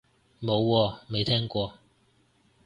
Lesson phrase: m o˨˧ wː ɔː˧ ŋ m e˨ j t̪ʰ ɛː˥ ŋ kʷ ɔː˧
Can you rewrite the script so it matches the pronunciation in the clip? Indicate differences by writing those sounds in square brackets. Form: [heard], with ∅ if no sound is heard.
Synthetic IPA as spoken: m o˨˧ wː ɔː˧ [∅] m e˨ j t̪ʰ ɛː˥ ŋ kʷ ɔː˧